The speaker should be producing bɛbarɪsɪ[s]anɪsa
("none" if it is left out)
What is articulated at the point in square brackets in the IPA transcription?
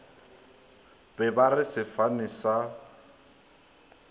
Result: f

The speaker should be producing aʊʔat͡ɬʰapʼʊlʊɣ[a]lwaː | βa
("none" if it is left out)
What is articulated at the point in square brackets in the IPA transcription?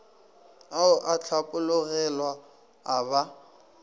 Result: ɛ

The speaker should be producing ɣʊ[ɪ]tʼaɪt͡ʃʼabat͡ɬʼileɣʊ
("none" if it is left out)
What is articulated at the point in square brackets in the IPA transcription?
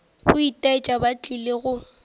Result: i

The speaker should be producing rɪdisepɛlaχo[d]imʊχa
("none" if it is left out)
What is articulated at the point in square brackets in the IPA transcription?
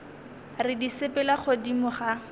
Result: d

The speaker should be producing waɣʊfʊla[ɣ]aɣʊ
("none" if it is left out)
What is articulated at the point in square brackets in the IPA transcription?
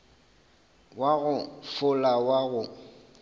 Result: w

